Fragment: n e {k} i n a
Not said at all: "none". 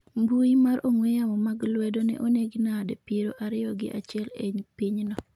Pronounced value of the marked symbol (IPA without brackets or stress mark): ɡ